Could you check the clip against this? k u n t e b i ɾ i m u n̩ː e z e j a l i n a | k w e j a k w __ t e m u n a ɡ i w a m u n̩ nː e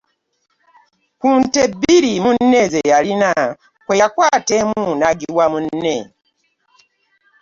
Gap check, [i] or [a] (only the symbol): a